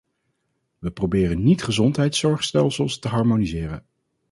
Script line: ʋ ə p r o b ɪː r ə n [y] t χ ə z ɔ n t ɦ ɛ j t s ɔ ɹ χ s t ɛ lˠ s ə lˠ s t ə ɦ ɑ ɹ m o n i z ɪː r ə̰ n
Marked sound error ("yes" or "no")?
yes